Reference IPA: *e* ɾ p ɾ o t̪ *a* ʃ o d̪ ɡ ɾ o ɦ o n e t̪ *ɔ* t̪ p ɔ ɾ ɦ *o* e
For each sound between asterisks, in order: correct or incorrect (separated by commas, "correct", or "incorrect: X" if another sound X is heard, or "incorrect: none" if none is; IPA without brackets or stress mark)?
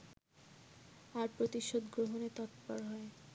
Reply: incorrect: a, incorrect: i, correct, incorrect: ɔ